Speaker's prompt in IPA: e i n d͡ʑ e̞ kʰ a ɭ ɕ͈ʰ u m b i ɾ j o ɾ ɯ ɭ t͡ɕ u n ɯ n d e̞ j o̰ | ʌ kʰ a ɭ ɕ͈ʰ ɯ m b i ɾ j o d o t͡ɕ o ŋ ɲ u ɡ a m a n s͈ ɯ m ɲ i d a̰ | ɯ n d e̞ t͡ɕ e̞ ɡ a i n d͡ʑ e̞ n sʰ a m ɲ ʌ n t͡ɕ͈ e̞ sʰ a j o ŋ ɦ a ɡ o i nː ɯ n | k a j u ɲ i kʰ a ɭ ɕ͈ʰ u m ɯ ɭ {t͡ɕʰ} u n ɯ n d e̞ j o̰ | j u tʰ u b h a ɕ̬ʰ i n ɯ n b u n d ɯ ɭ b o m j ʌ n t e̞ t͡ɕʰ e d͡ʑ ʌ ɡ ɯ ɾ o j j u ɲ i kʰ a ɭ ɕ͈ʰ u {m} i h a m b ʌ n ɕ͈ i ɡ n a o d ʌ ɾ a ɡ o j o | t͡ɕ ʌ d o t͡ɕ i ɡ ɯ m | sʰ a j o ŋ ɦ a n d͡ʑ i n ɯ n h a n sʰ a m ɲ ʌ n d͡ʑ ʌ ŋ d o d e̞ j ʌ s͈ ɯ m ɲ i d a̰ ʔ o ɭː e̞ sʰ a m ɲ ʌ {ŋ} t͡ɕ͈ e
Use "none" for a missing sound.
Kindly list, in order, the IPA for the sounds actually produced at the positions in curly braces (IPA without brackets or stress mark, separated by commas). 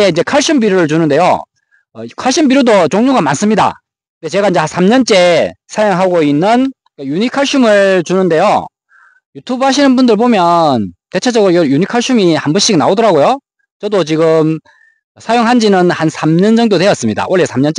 t͡ɕ, m, n